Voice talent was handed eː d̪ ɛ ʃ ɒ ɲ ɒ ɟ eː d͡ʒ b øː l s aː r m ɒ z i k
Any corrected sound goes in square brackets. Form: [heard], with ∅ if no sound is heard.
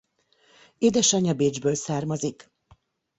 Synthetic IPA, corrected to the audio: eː d̪ ɛ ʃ ɒ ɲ ɒ [b] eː d͡ʒ b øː l s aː r m ɒ z i k